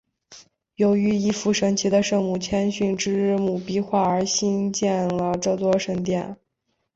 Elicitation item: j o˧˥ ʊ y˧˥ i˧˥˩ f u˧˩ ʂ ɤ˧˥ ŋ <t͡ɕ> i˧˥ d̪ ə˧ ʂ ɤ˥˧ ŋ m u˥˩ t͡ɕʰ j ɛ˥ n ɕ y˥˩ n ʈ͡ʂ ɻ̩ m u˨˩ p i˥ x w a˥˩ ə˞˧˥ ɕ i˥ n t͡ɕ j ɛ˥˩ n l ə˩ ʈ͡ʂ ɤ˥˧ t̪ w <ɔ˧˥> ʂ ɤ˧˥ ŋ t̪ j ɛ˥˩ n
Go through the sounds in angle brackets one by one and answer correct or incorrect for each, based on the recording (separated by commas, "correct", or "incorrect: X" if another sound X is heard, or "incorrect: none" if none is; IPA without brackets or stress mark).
incorrect: t͡ɕʰ, incorrect: ɔ˥